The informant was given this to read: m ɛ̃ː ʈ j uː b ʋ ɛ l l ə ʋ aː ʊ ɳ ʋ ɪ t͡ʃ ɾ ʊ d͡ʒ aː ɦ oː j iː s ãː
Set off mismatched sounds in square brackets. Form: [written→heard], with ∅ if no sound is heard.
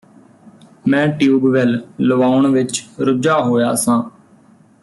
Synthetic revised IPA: m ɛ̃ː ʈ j uː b ʋ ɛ l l ə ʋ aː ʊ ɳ ʋ ɪ t͡ʃ ɾ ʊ d͡ʒ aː ɦ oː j [iː→aː] s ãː

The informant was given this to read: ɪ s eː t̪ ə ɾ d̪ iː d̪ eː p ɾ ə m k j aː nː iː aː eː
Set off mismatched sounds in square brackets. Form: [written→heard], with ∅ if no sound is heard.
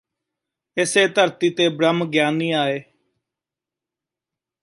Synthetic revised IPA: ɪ s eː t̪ ə ɾ [d̪→t̪] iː [d̪→t̪] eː [p→b] ɾ ə m [k→ɡ] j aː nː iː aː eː

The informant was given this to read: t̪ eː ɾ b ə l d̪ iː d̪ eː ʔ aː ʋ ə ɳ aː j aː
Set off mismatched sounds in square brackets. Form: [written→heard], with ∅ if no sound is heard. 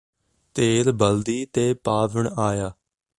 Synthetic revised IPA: t̪ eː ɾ b ə l d̪ iː [d̪→t̪] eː [ʔ→p] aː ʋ ə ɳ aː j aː

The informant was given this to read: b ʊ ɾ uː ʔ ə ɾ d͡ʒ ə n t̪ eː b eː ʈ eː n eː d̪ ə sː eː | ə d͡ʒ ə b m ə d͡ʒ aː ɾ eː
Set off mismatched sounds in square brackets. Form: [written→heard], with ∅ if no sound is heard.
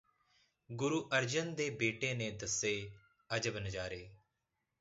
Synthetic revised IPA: [b→ɡ] ʊ ɾ uː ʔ ə ɾ d͡ʒ ə n [t̪→d̪] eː b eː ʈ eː n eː d̪ ə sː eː | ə d͡ʒ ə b [m→n] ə d͡ʒ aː ɾ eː

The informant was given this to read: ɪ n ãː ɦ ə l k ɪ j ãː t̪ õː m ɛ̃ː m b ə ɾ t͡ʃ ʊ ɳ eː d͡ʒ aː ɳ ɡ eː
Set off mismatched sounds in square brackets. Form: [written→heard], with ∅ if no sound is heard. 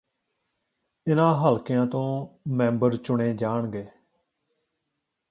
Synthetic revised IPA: ɪ n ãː ɦ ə l k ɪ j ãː t̪ õː m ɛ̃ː m b ə ɾ t͡ʃ ʊ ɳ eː d͡ʒ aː ɳ ɡ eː

